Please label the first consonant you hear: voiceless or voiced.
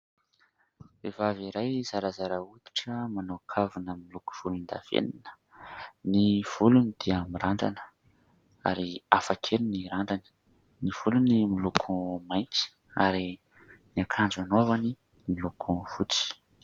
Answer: voiced